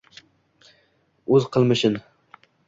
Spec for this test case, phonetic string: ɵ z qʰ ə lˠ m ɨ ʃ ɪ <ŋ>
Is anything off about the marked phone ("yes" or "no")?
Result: yes